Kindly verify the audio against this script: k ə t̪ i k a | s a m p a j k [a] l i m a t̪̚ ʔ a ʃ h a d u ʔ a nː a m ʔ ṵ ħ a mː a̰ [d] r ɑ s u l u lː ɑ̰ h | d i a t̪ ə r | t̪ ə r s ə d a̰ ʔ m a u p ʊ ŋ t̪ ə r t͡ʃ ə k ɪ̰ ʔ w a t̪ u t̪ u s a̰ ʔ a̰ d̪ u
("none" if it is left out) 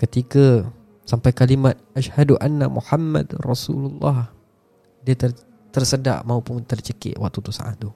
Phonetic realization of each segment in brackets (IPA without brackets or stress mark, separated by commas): a, d